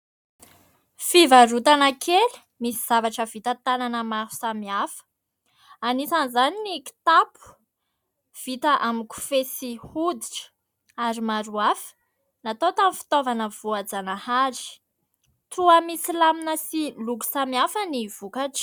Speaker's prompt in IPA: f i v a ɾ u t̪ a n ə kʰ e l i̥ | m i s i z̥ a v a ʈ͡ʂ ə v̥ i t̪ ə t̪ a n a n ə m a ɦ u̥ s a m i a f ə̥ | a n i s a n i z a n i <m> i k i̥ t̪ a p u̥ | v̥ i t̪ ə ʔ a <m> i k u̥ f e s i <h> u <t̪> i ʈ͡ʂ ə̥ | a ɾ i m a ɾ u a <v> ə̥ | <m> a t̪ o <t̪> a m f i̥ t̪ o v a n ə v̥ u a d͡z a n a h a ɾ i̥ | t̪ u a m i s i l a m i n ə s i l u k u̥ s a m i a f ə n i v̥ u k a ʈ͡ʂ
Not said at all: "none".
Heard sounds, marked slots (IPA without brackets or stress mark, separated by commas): n, m, h, d̪, f, n, t̪